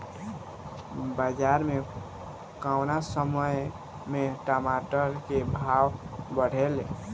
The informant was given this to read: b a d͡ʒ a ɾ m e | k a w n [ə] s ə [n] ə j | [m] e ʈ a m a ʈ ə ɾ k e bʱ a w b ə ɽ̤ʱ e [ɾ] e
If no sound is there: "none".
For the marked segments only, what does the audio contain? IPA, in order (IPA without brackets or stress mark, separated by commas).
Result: a, m, m, l